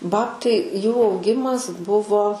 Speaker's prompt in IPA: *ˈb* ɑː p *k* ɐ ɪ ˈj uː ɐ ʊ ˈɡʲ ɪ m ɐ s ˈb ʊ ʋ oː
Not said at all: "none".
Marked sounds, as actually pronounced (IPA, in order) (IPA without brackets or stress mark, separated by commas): b, t